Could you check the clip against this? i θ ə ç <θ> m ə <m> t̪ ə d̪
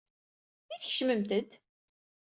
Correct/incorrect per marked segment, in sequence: incorrect, correct

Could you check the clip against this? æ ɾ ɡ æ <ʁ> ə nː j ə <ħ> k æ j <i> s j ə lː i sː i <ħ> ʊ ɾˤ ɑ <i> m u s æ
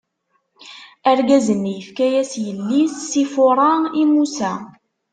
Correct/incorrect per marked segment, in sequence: incorrect, incorrect, incorrect, incorrect, correct

